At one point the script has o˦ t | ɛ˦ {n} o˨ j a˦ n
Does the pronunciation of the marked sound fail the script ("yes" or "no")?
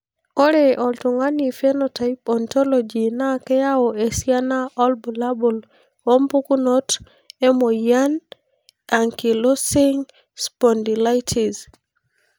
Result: yes